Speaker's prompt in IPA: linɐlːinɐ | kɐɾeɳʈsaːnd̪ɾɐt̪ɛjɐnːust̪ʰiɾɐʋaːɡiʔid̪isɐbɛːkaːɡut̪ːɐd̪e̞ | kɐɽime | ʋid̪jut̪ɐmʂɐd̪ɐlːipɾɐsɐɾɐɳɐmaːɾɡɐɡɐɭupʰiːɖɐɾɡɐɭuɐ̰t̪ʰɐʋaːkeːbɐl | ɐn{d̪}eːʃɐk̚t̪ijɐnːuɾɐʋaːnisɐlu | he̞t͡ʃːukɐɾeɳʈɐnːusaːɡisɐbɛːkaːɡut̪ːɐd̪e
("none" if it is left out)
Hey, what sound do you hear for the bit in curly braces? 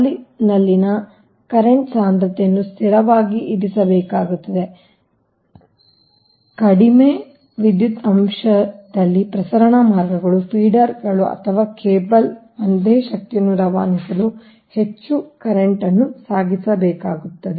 d̪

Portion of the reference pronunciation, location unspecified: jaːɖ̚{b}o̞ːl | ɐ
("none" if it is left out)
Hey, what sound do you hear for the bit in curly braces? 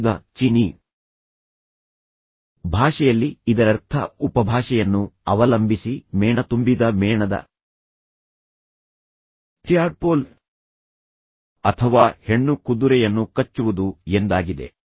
p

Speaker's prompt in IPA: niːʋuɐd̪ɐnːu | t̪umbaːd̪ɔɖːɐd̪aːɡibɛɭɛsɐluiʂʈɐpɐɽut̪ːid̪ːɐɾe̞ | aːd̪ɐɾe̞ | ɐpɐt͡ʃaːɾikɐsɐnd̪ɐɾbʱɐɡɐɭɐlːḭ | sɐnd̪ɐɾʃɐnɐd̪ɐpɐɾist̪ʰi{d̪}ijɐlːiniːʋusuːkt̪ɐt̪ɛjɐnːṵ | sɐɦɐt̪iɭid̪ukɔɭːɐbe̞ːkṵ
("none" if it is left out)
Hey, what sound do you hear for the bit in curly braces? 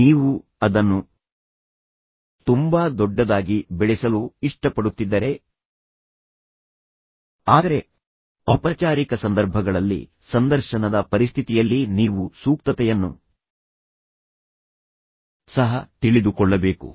t̪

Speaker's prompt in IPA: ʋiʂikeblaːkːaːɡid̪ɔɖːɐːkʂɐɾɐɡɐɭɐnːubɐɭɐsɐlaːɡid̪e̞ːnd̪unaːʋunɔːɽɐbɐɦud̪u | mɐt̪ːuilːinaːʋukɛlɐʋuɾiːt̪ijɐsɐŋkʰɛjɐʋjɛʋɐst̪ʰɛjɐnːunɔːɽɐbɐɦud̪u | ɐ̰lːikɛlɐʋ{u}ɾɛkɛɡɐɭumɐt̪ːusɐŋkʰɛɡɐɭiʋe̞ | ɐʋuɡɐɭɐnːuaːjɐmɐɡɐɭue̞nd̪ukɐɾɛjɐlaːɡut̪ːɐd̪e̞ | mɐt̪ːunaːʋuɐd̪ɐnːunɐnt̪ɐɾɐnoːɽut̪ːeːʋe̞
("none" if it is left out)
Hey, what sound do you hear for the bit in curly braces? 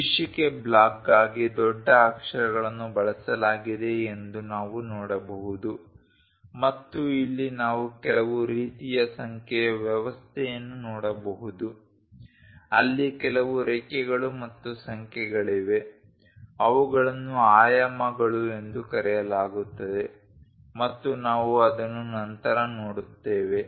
u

